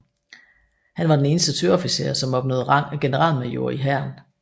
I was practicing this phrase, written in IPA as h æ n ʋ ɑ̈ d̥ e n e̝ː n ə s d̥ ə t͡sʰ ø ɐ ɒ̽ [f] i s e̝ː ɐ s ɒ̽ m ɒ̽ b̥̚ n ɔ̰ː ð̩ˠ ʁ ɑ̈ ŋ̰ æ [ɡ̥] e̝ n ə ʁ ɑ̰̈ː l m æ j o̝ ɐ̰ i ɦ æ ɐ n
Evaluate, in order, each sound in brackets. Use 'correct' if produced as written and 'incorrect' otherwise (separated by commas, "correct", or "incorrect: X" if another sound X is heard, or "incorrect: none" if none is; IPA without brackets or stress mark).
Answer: correct, correct